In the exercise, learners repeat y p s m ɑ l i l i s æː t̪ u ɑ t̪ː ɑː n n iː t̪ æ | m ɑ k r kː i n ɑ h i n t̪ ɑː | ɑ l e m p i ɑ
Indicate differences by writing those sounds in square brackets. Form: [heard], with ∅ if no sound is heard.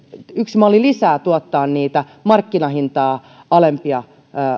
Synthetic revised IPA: y [k] s m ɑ l i l i s æː t̪ u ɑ t̪ː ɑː n n iː t̪ æ | m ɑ [∅] r kː i n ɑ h i n t̪ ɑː | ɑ l e m p i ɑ